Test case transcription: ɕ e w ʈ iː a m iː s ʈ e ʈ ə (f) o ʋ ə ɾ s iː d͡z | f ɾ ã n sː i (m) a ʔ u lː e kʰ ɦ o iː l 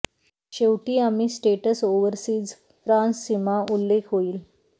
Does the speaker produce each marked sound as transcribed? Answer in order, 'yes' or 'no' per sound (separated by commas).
no, yes